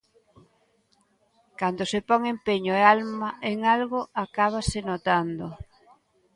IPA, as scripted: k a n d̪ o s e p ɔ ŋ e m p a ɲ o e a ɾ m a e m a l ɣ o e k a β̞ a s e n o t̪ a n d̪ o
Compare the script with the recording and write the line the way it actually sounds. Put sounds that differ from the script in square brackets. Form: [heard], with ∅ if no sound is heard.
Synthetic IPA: k a n d̪ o s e p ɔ ŋ e m p [e] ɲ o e a [l] m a e [ŋ] a l ɣ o [a] k a β̞ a s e n o t̪ a n d̪ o